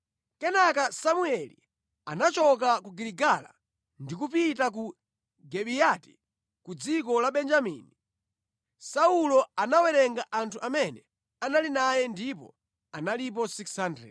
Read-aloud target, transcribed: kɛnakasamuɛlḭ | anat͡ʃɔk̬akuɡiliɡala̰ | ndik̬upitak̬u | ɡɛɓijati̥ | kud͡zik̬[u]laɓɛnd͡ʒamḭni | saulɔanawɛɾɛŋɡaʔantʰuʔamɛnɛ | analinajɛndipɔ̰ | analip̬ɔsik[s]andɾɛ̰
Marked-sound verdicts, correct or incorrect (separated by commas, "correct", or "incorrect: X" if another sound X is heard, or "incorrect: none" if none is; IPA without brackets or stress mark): incorrect: ɔ, correct